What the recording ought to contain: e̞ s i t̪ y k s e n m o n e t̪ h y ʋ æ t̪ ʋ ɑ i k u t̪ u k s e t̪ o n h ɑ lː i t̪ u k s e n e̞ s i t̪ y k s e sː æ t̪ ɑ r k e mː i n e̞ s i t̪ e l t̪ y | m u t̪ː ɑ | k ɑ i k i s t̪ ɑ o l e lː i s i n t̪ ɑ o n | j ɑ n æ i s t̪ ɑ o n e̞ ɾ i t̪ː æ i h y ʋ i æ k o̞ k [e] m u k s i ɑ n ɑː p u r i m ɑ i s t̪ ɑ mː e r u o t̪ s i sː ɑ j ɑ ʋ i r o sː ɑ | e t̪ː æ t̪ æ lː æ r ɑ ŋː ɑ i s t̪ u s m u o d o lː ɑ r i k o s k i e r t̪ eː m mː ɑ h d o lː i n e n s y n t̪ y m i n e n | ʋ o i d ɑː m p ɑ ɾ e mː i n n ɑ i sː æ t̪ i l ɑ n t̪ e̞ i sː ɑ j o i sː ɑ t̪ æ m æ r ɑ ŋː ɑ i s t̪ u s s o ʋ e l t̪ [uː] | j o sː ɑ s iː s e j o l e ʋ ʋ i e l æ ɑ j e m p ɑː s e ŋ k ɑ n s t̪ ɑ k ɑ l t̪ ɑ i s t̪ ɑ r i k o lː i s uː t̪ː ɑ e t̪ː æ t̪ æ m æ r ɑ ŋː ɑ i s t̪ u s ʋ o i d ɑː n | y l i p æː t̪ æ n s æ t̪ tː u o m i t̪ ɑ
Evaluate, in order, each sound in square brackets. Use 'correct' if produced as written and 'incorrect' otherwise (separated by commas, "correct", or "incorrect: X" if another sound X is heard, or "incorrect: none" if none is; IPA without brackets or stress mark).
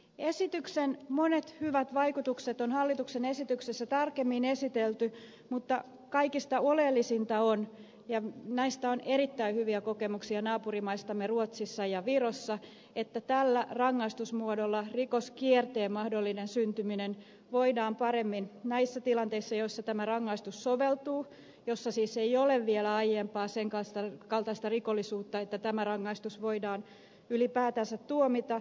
correct, correct